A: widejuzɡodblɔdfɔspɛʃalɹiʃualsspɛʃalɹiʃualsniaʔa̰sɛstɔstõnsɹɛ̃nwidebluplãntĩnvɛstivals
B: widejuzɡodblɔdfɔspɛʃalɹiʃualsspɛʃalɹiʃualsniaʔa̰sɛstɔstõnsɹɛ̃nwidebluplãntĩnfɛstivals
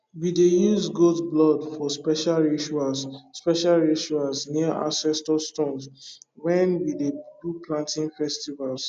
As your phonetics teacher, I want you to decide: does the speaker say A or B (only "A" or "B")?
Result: B